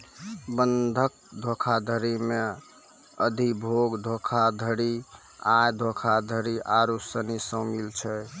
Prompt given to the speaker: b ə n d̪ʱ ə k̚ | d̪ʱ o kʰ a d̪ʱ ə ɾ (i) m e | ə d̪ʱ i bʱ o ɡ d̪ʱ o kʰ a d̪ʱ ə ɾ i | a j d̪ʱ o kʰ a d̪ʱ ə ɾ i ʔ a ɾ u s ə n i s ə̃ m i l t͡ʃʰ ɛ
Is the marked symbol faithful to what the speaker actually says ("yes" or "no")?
yes